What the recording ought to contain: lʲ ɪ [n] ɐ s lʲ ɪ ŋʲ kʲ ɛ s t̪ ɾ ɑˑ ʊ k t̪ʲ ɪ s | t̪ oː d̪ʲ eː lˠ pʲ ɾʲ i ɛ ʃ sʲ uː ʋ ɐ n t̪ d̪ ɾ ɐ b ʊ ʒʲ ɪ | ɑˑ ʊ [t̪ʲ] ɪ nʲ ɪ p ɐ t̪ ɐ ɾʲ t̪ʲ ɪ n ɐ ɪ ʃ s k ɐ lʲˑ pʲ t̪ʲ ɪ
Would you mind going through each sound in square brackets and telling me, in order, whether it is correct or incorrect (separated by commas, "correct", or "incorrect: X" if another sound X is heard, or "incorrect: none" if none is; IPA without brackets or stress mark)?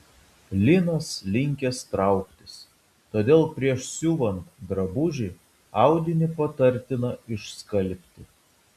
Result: correct, incorrect: d̪ʲ